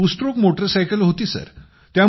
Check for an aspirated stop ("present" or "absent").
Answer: absent